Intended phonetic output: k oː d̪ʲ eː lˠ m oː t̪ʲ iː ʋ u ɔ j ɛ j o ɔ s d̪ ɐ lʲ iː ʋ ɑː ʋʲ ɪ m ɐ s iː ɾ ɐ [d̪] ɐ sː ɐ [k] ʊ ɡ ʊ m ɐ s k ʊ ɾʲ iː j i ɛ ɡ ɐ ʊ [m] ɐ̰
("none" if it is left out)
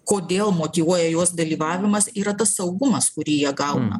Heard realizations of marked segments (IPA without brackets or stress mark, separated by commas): t̪, none, n